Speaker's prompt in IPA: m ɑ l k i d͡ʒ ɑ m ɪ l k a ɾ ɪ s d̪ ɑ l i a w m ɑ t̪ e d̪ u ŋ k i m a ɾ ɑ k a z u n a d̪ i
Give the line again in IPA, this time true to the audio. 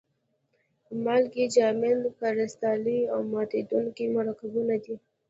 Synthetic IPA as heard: m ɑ l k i d͡ʒ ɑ m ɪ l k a ɾ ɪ s t̪ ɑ l i a w m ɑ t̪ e d̪ u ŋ k i m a ɾ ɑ k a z u n a d̪ i